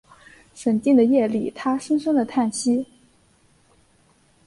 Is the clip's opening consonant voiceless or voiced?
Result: voiceless